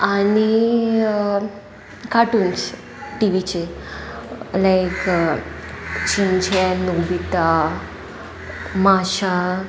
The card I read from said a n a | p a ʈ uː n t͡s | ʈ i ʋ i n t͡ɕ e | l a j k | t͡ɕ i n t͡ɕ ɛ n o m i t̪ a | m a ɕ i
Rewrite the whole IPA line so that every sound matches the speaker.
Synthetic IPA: a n i | k a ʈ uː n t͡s | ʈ i ʋ i t͡ɕ e | l a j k | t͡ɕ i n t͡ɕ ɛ n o b i t̪ a | m a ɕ a